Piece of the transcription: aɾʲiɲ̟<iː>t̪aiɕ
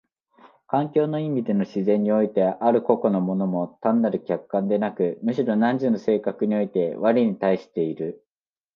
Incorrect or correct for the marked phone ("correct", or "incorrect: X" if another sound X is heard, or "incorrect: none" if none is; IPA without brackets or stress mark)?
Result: incorrect: i